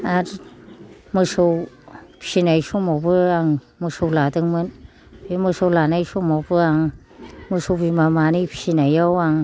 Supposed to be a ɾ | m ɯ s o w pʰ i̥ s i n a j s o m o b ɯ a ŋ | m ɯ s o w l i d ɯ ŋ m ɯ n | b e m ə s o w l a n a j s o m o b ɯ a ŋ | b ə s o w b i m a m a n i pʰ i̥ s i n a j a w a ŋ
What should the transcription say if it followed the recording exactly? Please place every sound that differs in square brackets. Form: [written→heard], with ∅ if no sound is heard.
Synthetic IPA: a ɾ | m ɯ s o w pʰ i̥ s i n a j s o m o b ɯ a ŋ | m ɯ s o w l [i→a] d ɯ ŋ m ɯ n | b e m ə s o w l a n a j s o m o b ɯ a ŋ | [b→m] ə s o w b i m a m a n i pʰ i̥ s i n a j a w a ŋ